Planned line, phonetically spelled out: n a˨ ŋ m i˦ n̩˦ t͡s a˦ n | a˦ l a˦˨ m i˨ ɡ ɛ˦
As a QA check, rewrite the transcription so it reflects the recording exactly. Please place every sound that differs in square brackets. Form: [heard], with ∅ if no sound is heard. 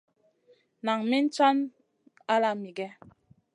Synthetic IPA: n a˨ ŋ m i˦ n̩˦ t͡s a˦ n | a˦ l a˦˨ m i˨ ɡ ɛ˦